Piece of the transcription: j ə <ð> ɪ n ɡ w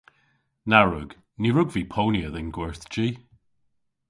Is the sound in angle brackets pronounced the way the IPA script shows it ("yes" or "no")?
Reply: yes